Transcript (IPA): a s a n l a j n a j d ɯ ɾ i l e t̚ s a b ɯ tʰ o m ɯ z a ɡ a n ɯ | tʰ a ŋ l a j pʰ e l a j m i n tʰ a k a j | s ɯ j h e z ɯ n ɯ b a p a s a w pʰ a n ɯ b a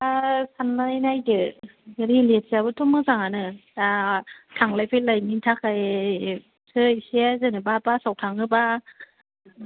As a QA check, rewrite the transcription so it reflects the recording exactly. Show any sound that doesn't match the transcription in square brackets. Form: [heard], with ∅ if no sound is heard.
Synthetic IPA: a s a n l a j n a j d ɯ ɾ i l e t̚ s a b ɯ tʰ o m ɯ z a [ŋ] a n ɯ | tʰ a ŋ l a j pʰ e l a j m i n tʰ a k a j | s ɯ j [s] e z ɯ n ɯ b a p a s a w [tʰ] a [ŋ] ɯ b a